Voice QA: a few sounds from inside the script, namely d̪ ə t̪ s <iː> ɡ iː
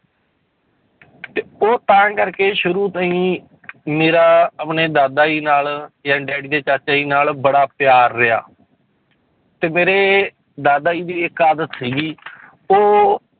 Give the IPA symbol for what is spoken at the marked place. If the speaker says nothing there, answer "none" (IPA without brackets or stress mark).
iː